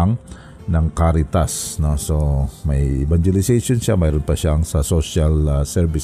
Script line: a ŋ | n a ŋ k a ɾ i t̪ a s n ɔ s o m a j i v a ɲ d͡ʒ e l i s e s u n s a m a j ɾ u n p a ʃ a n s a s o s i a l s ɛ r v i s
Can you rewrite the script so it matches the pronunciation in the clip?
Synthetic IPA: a ŋ | n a ŋ k a ɾ i t̪ a s n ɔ s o m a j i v a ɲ d͡ʒ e l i s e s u n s a m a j ɾ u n p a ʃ a ŋ s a s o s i a l s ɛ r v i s